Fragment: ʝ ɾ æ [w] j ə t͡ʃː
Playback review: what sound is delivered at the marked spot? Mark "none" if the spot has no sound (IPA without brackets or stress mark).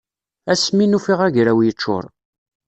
w